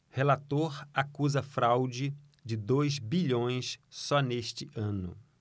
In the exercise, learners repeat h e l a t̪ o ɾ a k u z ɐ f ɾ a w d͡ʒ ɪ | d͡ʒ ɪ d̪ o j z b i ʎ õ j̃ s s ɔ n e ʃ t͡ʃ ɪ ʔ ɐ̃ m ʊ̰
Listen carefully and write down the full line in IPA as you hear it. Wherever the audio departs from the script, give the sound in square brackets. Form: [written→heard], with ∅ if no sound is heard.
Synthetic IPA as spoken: h e l a t̪ o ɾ a k u z ɐ f ɾ a w d͡ʒ ɪ | d͡ʒ ɪ d̪ o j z b i ʎ õ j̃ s s ɔ n e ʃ t͡ʃ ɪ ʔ ɐ̃ [m→n] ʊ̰